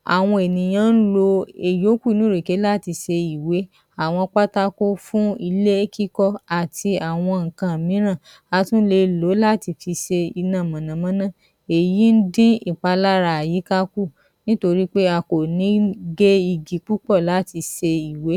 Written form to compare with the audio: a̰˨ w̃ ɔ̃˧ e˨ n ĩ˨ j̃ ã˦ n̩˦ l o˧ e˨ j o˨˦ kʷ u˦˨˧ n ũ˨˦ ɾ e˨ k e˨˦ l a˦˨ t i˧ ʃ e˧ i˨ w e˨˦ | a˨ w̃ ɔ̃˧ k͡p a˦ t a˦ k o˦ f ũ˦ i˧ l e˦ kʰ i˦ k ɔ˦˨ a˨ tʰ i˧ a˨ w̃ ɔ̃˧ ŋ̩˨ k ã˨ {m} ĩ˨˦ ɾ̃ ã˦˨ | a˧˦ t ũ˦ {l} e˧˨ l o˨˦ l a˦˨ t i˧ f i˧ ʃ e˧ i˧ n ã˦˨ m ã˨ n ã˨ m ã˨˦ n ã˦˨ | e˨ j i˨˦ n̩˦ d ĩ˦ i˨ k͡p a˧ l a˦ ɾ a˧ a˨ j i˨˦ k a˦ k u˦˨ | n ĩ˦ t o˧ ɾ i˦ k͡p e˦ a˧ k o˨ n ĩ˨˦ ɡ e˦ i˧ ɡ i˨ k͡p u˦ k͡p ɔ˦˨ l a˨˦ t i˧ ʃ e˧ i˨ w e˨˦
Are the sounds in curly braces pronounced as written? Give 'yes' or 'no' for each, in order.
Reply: yes, yes

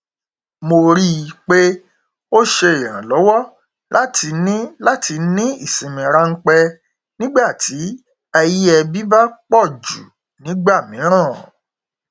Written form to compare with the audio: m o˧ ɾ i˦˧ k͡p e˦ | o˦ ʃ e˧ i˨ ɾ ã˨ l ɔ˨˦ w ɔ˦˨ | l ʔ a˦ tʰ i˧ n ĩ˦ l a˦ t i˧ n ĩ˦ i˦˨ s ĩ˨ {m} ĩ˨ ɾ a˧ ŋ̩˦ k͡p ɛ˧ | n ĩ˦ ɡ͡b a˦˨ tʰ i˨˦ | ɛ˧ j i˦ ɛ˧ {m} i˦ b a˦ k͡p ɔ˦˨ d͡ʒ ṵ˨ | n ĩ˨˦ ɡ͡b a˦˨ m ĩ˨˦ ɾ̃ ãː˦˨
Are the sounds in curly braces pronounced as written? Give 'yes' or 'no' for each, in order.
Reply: yes, no

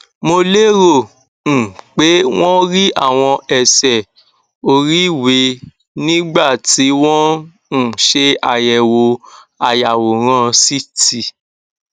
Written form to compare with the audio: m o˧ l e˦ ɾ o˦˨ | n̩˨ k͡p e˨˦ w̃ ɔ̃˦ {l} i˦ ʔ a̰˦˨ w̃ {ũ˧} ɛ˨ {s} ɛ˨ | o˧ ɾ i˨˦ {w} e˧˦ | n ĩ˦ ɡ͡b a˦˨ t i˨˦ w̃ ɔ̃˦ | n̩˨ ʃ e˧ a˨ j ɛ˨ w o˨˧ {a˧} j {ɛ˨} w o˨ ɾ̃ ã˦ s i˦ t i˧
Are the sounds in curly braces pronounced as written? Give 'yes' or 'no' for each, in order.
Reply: no, no, yes, yes, yes, no

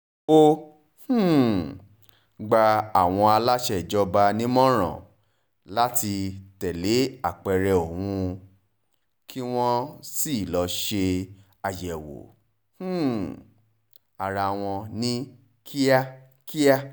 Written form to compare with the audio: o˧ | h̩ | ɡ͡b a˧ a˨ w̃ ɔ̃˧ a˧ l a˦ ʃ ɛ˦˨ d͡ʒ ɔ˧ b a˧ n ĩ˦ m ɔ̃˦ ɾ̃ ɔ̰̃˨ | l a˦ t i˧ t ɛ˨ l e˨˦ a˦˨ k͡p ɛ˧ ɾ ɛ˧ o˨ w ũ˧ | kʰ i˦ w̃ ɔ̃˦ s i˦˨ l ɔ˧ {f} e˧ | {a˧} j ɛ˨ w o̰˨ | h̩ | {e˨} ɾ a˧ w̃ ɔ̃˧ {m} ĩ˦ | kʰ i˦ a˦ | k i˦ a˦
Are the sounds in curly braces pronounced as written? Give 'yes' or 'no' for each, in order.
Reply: no, yes, no, no

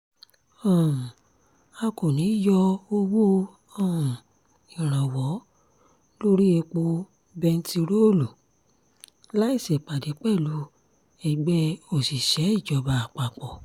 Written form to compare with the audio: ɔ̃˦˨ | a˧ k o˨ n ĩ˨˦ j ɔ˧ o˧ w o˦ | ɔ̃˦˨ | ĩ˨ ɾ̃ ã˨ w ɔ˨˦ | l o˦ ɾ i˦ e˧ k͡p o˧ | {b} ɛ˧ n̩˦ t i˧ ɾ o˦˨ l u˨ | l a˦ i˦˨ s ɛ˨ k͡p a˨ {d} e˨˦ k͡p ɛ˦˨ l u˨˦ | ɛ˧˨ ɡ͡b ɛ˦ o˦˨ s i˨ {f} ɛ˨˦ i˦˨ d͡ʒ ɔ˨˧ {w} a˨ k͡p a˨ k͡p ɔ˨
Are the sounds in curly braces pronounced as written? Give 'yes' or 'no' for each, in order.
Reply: yes, yes, no, no

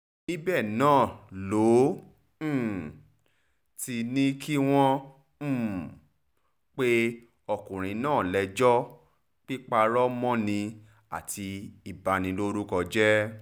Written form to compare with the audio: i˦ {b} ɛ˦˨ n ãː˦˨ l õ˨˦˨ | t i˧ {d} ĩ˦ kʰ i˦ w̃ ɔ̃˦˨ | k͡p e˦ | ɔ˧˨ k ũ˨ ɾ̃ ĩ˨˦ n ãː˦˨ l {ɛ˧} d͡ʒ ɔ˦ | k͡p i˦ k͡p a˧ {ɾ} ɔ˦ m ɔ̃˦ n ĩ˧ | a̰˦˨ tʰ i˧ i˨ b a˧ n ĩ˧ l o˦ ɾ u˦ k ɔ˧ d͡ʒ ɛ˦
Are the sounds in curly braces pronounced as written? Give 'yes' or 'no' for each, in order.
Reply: yes, no, yes, yes

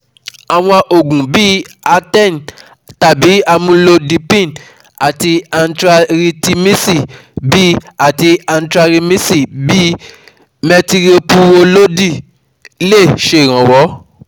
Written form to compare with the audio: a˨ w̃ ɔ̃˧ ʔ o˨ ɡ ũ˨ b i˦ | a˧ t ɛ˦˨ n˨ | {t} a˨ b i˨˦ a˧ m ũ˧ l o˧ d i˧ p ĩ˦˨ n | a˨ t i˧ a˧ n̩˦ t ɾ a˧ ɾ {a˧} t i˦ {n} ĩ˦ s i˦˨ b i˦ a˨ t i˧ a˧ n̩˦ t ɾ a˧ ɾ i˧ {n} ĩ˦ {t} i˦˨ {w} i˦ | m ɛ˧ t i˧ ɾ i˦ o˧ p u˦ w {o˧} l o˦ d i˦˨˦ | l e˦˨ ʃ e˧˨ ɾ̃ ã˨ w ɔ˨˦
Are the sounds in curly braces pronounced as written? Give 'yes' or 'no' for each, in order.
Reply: yes, no, no, no, no, no, yes

